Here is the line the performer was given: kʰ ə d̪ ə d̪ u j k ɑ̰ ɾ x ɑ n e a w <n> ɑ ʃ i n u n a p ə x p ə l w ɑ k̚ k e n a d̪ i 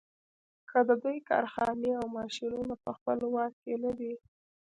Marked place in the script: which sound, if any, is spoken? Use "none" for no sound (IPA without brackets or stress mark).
m